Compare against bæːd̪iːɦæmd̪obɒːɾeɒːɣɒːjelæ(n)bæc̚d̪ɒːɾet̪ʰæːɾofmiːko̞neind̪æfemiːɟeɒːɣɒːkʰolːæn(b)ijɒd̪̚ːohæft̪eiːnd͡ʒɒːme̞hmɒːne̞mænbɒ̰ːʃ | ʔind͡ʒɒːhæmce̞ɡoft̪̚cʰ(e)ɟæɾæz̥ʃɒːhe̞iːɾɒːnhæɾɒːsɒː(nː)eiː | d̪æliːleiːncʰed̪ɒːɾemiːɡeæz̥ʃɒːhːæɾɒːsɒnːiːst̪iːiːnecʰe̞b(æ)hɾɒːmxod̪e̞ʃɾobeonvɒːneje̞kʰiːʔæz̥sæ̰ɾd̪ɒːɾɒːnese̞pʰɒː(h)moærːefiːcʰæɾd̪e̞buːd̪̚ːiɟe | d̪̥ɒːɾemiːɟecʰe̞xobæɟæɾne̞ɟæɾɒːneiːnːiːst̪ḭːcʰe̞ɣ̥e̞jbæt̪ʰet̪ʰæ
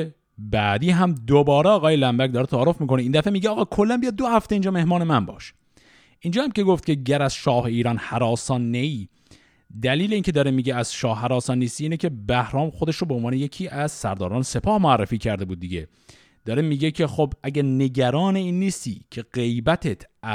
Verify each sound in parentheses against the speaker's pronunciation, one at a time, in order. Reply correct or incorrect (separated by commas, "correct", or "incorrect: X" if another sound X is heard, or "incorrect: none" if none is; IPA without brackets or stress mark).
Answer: incorrect: m, correct, correct, correct, correct, correct